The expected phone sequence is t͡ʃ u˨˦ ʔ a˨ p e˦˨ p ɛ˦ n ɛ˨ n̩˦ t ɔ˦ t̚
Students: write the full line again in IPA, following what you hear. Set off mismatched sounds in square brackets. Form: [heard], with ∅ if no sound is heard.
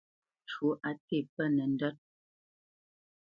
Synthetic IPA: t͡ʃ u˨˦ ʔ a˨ [t] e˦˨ p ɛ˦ n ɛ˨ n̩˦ [d] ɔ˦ t̚